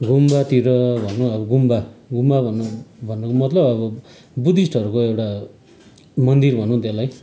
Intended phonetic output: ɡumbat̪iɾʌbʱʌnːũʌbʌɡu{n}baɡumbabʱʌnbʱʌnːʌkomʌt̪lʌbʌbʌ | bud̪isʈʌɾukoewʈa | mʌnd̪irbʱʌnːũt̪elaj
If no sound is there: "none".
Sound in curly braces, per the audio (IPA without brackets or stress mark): m